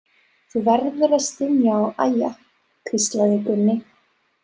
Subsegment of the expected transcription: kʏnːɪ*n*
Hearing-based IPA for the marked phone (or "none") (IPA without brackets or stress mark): none